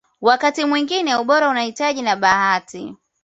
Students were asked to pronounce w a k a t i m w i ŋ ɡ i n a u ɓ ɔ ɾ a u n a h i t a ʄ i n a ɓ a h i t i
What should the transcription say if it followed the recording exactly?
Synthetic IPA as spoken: w a k a t i m w i ŋ ɡ i n ɛ u ɓ ɔ ɾ a u n a h i t a ʄ i n a ɓ a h a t i